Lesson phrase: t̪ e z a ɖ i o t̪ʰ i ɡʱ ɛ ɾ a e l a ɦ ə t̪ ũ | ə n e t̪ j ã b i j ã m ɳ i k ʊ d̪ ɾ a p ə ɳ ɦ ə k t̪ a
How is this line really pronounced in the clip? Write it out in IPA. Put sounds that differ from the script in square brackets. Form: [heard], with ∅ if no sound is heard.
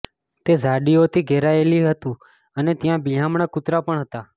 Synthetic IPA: t̪ e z a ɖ i o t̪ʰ i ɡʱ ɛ ɾ a e l [i] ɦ ə t̪ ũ | ə n e t̪ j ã b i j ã m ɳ [a] k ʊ [t̪] ɾ a p ə ɳ ɦ ə [∅] t̪ a